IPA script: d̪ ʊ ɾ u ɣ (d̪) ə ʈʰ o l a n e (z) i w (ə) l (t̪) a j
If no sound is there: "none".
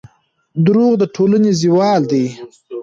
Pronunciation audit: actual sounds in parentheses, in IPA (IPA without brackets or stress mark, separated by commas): d̪, z, ɑ, d̪